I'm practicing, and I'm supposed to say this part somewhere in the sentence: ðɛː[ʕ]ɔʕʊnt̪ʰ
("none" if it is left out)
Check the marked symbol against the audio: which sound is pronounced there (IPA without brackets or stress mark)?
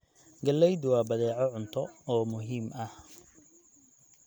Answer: ʕ